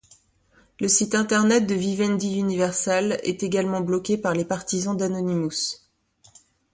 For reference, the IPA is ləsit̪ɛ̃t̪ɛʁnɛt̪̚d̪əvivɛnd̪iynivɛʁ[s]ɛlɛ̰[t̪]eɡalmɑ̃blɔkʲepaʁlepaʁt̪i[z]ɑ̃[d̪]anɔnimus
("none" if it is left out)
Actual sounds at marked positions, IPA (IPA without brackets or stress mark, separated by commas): s, t̪, z, d̪